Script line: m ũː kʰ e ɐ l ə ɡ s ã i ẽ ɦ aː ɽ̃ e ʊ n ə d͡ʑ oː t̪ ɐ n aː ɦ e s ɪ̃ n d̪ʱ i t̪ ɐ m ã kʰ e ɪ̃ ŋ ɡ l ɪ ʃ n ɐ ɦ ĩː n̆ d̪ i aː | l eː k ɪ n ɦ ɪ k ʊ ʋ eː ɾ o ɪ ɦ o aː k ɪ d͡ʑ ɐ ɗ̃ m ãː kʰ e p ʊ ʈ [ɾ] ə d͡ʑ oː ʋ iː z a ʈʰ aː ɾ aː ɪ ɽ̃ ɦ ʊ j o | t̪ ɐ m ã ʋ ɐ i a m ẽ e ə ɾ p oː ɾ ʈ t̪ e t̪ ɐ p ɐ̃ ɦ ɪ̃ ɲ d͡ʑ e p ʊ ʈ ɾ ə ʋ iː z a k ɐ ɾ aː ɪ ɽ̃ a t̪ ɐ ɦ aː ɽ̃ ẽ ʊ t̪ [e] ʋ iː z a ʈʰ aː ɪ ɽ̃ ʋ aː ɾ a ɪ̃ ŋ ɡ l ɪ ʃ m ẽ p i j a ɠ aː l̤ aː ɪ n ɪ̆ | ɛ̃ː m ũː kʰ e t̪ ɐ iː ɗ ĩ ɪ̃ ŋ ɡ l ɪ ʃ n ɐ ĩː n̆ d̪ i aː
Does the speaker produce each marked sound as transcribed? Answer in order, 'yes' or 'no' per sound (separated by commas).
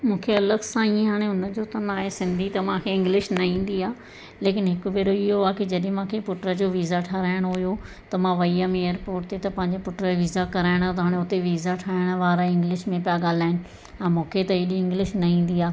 yes, yes